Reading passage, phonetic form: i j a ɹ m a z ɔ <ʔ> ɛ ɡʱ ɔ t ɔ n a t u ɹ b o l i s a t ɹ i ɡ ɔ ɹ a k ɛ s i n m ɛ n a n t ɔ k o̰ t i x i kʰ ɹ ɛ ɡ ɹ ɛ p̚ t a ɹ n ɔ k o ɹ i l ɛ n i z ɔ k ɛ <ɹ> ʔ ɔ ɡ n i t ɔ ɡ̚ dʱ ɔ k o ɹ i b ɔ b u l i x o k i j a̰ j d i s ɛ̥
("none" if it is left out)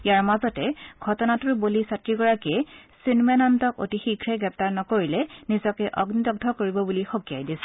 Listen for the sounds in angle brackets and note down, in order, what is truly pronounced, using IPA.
t, none

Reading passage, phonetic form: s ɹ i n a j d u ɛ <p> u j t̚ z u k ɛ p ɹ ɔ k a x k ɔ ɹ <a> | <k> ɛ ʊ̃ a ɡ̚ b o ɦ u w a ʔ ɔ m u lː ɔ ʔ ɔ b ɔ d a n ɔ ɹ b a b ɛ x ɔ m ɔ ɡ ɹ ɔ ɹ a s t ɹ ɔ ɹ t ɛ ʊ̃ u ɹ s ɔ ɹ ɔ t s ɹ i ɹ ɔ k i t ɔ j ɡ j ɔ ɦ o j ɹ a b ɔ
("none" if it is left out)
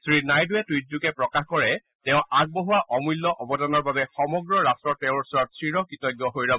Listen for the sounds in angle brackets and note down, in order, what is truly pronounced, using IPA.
t, ɛ, t

